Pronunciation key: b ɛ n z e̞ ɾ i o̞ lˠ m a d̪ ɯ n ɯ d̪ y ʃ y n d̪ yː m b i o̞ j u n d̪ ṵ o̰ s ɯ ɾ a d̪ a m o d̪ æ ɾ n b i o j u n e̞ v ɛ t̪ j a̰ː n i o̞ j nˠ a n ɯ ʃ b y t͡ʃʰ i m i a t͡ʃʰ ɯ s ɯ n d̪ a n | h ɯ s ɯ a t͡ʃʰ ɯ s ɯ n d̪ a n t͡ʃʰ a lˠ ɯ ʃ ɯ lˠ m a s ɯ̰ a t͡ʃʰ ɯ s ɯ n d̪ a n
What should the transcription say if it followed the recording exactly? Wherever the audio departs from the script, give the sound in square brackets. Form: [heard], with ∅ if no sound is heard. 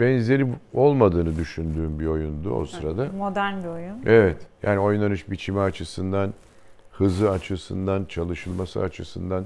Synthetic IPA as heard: b ɛ n z e̞ ɾ i o̞ lˠ m a d̪ [ɯː] n ɯ d̪ y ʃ y n d̪ yː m b i o̞ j u n d̪ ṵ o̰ s ɯ ɾ a d̪ a m o d̪ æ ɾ n b i o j u n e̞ v ɛ t̪ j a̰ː n i o̞ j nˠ a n ɯ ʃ b [i] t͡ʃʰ i m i a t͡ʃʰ ɯ s ɯ n d̪ a n | h ɯ [z] ɯ a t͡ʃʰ ɯ s ɯ n d̪ a n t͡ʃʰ a lˠ ɯ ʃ ɯ lˠ m a s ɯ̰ a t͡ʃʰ ɯ s ɯ n d̪ a n